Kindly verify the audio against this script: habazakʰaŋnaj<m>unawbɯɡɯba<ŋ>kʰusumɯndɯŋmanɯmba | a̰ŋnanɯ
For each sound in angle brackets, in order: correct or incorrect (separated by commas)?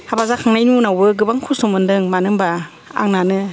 incorrect, correct